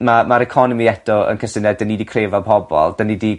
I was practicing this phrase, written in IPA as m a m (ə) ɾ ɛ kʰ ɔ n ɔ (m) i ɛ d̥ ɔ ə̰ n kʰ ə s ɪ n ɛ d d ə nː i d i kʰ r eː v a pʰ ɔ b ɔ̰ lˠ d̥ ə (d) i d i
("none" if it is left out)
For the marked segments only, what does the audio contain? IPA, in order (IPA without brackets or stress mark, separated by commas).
a, m, n